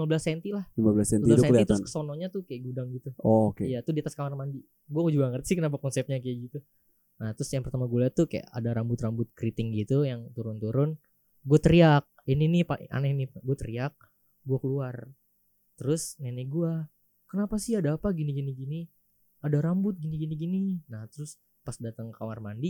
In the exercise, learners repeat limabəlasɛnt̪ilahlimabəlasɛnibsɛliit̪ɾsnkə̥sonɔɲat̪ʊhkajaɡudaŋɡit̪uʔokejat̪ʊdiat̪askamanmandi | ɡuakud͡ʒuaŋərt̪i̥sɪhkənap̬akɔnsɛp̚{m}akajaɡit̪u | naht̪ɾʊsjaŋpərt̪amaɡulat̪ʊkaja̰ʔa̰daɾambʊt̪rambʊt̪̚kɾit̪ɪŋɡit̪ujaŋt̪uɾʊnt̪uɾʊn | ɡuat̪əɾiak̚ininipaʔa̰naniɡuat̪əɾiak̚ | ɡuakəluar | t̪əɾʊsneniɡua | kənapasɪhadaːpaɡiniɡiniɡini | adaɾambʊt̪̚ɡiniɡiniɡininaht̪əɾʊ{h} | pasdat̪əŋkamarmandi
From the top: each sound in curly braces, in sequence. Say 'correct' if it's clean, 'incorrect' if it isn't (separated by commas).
incorrect, incorrect